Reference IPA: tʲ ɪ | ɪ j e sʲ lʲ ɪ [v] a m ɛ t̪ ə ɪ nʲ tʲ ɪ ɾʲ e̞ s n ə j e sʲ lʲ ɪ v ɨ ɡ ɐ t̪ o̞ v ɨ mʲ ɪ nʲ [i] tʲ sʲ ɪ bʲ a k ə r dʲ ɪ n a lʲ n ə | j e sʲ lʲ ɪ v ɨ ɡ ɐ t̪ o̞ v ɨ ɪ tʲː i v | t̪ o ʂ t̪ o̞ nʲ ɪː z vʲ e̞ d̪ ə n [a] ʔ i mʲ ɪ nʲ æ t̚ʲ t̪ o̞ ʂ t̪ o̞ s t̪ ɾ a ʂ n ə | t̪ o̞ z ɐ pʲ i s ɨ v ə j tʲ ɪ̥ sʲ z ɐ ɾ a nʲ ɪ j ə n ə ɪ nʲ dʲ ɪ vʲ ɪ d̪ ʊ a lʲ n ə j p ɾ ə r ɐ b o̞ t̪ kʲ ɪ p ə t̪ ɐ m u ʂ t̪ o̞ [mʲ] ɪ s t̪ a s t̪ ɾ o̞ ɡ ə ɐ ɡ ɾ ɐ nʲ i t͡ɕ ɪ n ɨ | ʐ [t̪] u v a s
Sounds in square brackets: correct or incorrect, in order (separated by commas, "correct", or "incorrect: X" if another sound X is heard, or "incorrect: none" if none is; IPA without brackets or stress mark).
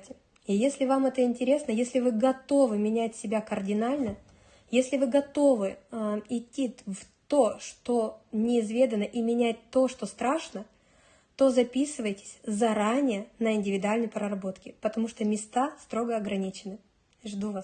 correct, incorrect: æ, incorrect: ə, correct, incorrect: d̪